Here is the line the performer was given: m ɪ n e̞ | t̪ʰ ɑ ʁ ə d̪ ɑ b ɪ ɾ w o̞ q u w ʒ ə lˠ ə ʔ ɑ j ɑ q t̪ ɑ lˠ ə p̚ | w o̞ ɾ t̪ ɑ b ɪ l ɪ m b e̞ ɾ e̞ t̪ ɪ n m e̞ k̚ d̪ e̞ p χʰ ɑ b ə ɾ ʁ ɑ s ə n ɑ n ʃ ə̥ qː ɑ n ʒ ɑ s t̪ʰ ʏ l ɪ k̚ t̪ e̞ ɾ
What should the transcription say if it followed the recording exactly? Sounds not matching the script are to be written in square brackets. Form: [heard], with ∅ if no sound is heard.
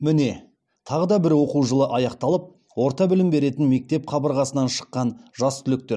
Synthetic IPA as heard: m ɪ n e̞ | t̪ʰ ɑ ʁ ə d̪ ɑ b ɪ ɾ w o̞ q u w ʒ ə lˠ ə ʔ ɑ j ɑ q t̪ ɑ lˠ ə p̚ | w o̞ ɾ t̪ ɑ b ɪ l ɪ m b e̞ ɾ e̞ t̪ ɪ n m e̞ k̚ [t̪] e̞ p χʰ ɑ b ə ɾ ʁ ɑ s ə n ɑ n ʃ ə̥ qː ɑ n ʒ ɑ s t̪ʰ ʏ l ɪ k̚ t̪ e̞ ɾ